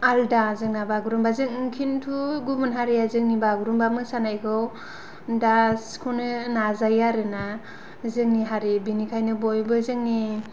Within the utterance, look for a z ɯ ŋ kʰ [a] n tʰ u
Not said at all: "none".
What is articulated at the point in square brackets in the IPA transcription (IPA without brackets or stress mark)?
i